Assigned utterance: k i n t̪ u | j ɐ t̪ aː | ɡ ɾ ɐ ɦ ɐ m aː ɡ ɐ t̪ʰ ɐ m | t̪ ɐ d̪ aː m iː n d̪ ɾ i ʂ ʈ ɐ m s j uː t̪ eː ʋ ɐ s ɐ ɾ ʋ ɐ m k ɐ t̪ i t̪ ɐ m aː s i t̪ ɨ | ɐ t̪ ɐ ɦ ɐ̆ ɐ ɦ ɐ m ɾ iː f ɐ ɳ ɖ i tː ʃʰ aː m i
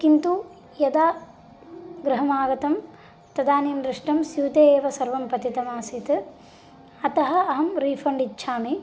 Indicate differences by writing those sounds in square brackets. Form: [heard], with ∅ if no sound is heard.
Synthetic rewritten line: k i n t̪ u | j ɐ [d̪] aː | ɡ ɾ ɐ ɦ ɐ m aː ɡ ɐ [t̪] ɐ m | t̪ ɐ d̪ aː [n] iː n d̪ ɾ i ʂ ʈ ɐ m s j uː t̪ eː ʋ ɐ s ɐ ɾ ʋ ɐ m [p] ɐ t̪ i t̪ ɐ m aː s i t̪ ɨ | ɐ t̪ ɐ ɦ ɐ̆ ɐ ɦ ɐ m ɾ iː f ɐ ɳ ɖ i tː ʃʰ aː m i